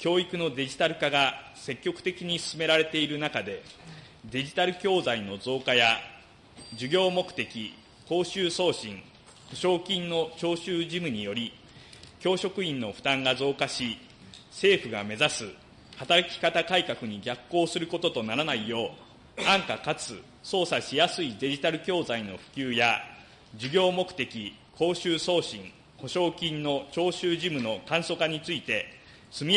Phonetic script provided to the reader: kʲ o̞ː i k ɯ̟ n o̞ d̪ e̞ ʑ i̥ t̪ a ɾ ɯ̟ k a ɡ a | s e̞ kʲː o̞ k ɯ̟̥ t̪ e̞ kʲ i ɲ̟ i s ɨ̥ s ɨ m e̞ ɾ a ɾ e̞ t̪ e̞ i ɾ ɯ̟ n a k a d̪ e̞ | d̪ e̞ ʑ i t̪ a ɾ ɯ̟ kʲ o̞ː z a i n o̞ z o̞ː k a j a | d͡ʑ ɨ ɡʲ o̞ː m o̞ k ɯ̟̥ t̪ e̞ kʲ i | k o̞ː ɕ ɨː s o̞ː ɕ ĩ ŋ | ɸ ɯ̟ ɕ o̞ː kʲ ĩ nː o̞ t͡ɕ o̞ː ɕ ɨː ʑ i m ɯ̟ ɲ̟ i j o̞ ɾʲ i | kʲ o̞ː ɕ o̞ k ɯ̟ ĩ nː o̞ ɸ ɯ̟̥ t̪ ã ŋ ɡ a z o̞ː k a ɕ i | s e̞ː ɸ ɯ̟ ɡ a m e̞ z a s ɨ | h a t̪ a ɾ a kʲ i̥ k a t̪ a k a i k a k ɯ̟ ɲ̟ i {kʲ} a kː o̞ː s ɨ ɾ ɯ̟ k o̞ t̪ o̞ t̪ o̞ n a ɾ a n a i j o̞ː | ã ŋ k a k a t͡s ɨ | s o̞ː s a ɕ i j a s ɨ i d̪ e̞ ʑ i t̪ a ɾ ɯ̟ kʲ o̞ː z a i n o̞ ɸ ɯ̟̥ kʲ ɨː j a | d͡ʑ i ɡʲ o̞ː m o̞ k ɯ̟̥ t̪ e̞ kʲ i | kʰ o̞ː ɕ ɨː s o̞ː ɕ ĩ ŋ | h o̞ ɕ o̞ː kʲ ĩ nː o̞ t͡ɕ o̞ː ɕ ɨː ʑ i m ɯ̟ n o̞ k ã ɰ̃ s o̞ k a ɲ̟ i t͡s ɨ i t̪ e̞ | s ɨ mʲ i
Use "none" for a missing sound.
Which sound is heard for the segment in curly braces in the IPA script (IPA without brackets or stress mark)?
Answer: ɡʲ